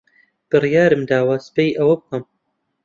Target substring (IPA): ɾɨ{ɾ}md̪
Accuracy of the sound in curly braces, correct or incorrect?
incorrect: none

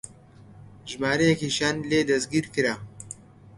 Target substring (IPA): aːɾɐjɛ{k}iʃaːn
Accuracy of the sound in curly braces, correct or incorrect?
correct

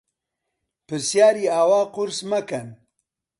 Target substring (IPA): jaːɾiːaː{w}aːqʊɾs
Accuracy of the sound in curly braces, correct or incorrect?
correct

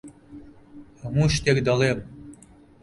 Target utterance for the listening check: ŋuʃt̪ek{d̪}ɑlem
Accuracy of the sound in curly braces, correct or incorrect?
correct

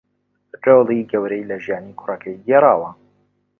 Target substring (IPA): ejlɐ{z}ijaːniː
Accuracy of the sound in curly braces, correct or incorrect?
incorrect: ʒ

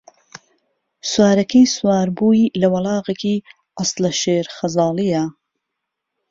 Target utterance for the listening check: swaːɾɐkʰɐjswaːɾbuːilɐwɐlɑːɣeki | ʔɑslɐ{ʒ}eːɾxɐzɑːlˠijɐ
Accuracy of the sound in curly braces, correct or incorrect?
incorrect: ʃ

